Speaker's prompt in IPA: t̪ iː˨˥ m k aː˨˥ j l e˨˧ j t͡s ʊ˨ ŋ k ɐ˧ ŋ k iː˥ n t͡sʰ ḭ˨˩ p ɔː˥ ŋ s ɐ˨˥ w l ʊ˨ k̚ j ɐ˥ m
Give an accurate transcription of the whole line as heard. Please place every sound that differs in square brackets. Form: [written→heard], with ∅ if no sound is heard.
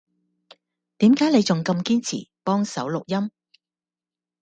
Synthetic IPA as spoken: t̪ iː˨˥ m k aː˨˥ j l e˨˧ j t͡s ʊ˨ ŋ k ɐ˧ [ŋ→m] k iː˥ n t͡sʰ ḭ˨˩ p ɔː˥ ŋ s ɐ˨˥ w l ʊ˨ k̚ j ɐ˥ m

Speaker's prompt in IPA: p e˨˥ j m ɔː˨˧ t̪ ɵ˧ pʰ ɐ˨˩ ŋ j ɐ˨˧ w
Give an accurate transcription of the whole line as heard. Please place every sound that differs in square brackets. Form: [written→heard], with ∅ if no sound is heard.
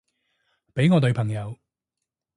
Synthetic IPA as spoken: p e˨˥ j [m→ŋ] ɔː˨˧ t̪ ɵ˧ pʰ ɐ˨˩ ŋ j ɐ˨˧ w

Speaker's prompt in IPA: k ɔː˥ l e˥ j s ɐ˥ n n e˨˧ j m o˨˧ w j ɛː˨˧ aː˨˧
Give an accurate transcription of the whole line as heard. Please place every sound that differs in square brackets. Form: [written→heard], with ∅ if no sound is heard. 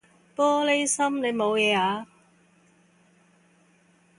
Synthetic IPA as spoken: [k→p] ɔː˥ l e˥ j s ɐ˥ [n→m] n e˨˧ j m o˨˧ w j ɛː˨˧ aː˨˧

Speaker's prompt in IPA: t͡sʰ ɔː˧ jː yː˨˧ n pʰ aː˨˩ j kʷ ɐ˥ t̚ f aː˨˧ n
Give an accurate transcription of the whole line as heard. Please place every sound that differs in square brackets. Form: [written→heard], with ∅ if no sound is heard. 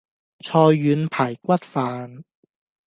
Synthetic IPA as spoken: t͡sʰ ɔː˧ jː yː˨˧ n pʰ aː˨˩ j kʷ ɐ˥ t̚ f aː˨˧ n

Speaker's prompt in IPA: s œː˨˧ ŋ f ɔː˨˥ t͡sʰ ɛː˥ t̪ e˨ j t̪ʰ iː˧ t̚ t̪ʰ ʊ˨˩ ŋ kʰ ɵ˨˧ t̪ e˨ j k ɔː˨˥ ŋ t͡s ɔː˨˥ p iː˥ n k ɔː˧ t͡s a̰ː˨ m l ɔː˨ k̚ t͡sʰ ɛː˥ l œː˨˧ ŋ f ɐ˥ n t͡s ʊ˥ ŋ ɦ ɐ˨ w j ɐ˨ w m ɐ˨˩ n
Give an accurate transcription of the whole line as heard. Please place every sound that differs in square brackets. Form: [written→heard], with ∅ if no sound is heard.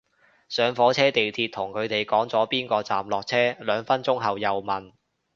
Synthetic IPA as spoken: s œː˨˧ ŋ f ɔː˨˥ t͡sʰ ɛː˥ t̪ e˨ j t̪ʰ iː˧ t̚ t̪ʰ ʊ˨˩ ŋ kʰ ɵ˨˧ t̪ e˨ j k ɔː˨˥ ŋ t͡s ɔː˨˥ p iː˥ n k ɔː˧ t͡s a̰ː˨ m l ɔː˨ k̚ t͡sʰ ɛː˥ l œː˨˧ ŋ f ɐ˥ n t͡s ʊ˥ ŋ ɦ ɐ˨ w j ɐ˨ w m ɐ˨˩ n

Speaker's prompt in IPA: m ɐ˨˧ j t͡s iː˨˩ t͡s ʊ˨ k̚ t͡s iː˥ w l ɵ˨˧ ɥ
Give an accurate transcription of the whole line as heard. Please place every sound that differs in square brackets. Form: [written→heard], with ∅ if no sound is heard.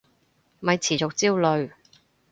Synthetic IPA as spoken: m ɐ˨˧ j [t͡s→t͡sʰ] iː˨˩ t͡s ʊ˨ k̚ t͡s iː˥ w l ɵ˨˧ ɥ

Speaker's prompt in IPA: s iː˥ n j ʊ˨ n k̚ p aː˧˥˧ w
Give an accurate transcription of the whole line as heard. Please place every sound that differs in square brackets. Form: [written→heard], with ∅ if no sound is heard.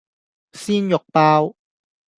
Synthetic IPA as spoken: s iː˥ n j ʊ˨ [n→∅] k̚ p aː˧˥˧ w

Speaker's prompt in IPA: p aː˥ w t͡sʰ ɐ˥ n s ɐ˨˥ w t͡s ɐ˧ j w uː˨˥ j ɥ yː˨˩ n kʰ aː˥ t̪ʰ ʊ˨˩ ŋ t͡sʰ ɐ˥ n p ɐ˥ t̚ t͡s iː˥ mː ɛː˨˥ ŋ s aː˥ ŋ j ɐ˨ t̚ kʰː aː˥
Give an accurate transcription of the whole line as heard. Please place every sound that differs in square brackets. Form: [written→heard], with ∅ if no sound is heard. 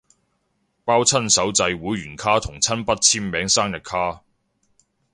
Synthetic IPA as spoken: p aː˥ w t͡sʰ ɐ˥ n s ɐ˨˥ w t͡s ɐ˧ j w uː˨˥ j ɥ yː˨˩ n kʰ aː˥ t̪ʰ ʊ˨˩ ŋ t͡sʰ ɐ˥ n p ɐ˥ t̚ [t͡s→t͡sʰ] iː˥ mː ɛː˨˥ ŋ s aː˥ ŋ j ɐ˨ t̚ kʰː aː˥

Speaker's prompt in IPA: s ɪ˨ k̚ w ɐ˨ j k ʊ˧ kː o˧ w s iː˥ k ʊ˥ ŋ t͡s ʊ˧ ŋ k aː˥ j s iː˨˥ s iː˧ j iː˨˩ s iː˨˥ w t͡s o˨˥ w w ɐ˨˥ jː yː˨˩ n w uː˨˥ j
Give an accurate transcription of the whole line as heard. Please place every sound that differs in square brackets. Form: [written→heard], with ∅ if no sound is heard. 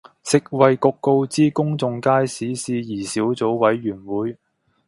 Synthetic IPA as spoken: s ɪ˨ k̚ w ɐ˨ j k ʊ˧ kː o˧ w [s→t͡s] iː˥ k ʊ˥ ŋ t͡s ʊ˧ ŋ k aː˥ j s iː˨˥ s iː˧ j iː˨˩ s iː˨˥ w t͡s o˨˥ w w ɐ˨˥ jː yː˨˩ n w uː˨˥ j

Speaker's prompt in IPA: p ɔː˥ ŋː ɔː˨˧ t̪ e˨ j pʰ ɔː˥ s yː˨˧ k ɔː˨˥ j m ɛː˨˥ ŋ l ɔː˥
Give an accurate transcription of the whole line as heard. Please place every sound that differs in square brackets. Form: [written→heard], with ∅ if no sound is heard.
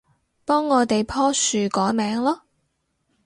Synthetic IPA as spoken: p ɔː˥ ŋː ɔː˨˧ t̪ e˨ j pʰ ɔː˥ s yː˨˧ k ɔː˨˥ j m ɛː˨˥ ŋ l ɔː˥

